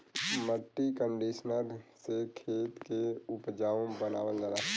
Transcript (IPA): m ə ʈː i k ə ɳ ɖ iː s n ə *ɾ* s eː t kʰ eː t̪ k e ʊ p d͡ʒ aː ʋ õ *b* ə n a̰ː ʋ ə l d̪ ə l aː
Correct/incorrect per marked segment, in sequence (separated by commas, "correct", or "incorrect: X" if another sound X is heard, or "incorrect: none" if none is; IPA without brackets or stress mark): correct, correct